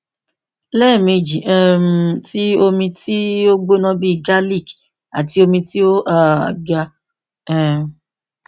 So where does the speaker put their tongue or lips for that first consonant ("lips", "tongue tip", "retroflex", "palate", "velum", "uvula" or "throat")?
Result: tongue tip